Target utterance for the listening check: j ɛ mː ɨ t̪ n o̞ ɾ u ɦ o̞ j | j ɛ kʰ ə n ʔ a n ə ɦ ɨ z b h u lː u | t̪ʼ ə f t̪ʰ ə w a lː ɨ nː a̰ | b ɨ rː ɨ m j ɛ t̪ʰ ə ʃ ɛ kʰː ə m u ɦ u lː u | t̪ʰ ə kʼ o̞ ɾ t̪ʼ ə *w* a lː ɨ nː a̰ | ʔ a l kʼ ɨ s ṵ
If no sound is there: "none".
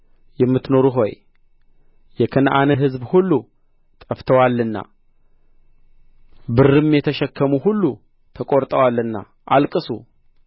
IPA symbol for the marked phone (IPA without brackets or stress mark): w